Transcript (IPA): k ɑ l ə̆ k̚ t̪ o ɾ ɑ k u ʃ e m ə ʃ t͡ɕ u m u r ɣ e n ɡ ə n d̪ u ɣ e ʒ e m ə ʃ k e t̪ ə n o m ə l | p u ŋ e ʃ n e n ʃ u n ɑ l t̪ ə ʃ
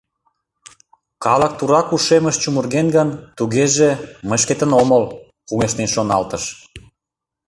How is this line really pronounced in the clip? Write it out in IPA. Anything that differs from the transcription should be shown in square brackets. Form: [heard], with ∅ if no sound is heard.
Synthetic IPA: k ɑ l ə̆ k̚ t̪ [u] ɾ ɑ k u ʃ e m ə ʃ t͡ɕ u m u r ɣ e n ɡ ə n [t̪] u ɣ e ʒ e m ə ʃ k e t̪ ə n o m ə l | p u ŋ e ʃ n e n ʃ [o] n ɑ l t̪ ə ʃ

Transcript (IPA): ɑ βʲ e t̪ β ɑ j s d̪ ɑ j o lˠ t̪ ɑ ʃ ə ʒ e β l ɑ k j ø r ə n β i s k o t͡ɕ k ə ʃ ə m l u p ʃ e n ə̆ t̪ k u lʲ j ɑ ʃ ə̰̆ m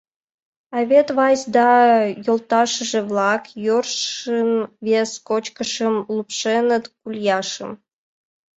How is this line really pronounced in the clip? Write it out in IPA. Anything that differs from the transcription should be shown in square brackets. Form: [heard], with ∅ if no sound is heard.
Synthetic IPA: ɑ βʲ e t̪ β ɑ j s d̪ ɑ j o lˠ t̪ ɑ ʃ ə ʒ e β l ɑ k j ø r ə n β [e] s k o t͡ɕ k ə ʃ ə m l u p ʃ e n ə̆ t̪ k u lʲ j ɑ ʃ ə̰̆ m

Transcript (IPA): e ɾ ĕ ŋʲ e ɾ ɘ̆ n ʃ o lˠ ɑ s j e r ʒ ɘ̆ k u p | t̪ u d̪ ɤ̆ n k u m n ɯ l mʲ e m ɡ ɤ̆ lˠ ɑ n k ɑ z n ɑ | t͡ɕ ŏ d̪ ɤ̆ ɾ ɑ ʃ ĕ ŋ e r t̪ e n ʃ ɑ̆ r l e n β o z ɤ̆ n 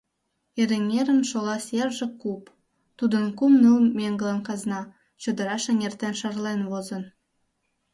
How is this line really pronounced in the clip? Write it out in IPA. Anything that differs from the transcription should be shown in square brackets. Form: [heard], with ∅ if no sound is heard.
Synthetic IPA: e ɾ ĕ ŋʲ e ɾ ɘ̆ n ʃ o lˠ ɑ s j e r ʒ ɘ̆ k u p | t̪ u d̪ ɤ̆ n k u m n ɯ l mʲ e [ŋ] ɡ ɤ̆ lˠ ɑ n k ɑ z n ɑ | t͡ɕ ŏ d̪ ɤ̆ ɾ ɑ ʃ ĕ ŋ e r t̪ e n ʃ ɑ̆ r l e n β o z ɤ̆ n

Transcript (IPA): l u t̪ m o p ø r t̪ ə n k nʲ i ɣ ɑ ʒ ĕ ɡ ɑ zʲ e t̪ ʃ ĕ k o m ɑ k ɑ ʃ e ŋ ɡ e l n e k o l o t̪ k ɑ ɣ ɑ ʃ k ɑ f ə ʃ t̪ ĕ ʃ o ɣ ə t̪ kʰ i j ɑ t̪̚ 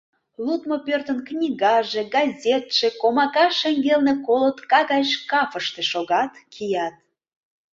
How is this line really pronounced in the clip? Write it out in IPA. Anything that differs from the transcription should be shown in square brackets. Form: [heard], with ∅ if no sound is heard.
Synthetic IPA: l u t̪ m o p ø r t̪ ə n k nʲ i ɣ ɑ ʒ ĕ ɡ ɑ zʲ e t̪ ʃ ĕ k o m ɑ k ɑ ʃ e ŋ ɡ e l n e k o l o t̪ k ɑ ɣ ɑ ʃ k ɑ f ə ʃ t̪ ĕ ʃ o ɣ [ɑ] t̪ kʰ i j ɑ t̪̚

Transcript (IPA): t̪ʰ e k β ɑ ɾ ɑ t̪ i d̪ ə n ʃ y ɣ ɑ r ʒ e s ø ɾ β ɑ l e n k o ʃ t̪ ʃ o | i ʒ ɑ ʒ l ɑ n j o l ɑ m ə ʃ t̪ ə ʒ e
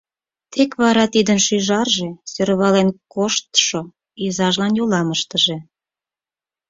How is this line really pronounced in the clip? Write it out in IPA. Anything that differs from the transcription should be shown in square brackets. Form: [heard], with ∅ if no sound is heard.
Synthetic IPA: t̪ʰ e k β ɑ ɾ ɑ t̪ i d̪ ə n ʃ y [ʒ] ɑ r ʒ e s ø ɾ β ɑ l e n k o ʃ t̪ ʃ o | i [z] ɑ ʒ l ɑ n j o l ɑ m ə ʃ t̪ ə ʒ e

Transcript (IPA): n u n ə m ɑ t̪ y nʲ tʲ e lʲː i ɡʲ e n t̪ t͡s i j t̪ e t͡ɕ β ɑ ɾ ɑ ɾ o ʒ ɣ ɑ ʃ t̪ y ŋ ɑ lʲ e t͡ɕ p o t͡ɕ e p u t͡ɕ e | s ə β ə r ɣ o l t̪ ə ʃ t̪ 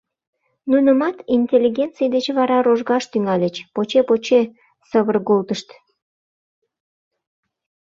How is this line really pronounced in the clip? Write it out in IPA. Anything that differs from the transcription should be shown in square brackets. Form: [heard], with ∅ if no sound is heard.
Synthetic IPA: n u n ə m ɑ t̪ [i] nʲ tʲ e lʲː i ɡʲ e n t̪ t͡s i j [d̪] e t͡ɕ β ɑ ɾ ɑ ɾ o ʒ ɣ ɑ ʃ t̪ y ŋ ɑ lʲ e t͡ɕ p o t͡ɕ e p [o] t͡ɕ e | s ə β ə r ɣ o l t̪ ə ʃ t̪

